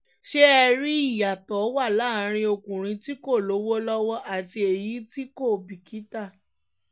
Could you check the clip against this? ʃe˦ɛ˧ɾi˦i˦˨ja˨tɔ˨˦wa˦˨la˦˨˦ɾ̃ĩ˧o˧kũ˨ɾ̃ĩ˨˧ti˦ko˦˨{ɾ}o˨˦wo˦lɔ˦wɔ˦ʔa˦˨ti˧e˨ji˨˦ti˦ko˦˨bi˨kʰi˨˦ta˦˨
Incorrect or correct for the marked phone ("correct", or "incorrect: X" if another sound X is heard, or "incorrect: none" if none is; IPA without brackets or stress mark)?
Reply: incorrect: l